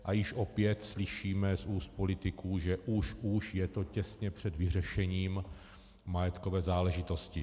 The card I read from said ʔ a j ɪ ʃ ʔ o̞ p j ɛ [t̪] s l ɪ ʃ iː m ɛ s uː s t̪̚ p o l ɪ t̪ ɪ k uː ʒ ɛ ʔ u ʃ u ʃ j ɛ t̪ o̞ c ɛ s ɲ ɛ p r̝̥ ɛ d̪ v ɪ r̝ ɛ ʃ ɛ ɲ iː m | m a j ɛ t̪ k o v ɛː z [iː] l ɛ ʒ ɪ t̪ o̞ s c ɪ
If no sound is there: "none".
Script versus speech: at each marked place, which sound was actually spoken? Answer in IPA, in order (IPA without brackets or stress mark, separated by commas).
t̪, aː